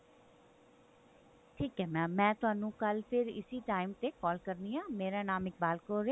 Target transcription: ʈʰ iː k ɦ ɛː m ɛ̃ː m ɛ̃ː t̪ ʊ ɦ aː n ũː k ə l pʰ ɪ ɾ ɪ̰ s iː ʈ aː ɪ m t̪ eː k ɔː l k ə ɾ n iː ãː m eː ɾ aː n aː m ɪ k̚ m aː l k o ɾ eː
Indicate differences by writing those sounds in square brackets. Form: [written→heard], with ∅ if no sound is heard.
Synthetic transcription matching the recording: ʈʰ iː k ɦ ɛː m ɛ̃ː m ɛ̃ː t̪ ʊ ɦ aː n ũː k ə l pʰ ɪ ɾ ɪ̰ s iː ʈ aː ɪ m t̪ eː k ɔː l k ə ɾ n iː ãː m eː ɾ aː n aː m ɪ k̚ [m→b] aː l k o ɾ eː